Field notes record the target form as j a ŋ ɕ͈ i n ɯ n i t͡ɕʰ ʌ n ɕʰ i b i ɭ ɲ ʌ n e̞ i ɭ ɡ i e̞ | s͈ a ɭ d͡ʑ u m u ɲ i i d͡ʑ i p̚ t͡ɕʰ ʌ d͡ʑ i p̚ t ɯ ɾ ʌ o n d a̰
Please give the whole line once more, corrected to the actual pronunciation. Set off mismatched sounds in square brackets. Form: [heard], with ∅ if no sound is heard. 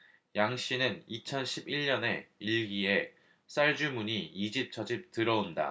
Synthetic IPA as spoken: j a ŋ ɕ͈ i n ɯ n i t͡ɕʰ ʌ n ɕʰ i b i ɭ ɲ ʌ n e̞ i ɭ ɡ i e̞ | s͈ a ɭ d͡ʑ u m u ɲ i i d͡ʑ i p̚ t͡ɕʰ ʌ d͡ʑ i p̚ t ɯ ɾ ʌ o n d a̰